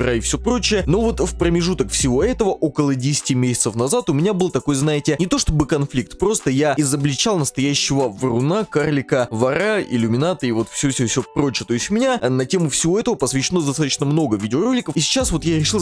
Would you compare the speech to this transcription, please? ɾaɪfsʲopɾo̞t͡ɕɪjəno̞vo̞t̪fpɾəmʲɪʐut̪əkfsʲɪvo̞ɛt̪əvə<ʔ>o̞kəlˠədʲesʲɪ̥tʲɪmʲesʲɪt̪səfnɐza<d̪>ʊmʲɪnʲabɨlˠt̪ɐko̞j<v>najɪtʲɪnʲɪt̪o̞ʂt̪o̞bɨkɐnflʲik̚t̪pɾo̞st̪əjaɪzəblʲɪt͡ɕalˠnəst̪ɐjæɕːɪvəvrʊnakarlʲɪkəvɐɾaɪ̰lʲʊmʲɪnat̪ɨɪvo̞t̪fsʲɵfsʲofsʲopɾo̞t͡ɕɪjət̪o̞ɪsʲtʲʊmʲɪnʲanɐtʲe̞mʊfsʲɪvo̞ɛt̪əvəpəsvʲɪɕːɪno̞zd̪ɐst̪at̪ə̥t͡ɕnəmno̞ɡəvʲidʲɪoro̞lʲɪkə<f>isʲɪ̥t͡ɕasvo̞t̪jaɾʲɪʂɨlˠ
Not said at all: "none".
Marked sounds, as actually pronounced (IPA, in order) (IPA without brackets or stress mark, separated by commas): ʔ, t̪, z, f